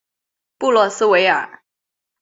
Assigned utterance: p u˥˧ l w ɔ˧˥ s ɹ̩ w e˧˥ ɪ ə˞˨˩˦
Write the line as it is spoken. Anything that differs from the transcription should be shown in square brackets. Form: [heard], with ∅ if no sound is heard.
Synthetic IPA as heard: p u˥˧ l w [ɔ˥˩] s ɹ̩ w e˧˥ ɪ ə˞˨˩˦